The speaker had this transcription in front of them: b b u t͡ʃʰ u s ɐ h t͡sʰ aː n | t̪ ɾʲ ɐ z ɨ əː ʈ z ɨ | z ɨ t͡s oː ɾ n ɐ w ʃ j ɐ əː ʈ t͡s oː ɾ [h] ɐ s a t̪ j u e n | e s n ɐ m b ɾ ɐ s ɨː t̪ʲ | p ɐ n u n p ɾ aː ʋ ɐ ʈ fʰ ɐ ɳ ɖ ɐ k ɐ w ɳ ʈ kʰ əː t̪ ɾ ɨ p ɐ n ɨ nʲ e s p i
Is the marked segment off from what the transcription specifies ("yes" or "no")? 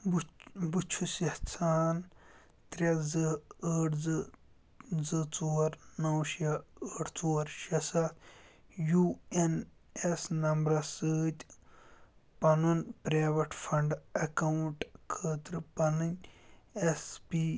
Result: yes